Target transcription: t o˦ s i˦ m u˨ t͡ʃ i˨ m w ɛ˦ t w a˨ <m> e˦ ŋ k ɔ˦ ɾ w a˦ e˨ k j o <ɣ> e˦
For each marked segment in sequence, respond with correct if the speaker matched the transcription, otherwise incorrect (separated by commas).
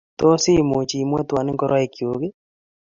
incorrect, correct